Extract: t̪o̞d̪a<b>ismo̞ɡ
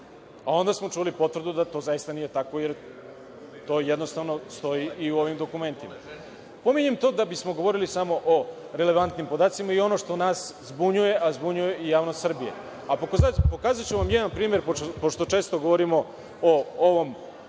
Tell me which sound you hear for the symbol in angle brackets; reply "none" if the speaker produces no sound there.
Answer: b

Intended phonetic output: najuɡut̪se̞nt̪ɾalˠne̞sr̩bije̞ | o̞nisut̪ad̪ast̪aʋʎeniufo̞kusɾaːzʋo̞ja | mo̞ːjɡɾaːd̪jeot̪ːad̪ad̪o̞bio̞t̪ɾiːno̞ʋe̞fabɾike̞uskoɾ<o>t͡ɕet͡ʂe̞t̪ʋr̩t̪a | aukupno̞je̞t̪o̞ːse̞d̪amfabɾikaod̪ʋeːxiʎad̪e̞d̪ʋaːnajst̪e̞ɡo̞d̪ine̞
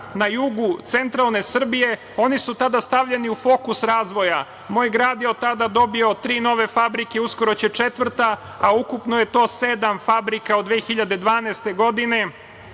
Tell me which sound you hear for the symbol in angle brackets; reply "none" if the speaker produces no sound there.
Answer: o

